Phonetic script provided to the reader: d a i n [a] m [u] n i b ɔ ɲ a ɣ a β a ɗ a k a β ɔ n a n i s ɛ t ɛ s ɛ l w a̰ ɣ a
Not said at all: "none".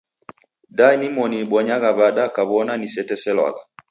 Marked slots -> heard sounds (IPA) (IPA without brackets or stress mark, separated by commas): i, ɔ